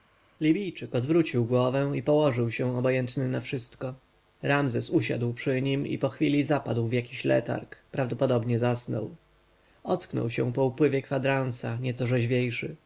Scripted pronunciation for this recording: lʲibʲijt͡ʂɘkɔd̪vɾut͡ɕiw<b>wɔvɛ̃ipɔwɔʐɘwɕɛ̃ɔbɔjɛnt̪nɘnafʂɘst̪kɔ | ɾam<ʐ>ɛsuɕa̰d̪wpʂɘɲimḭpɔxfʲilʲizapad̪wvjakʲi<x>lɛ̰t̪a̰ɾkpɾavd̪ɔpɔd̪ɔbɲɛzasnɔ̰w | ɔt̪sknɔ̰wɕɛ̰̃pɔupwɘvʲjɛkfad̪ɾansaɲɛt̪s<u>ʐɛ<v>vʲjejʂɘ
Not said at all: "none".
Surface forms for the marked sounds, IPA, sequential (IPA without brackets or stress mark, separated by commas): ɡ, z, ɕ, ɔ, ʑ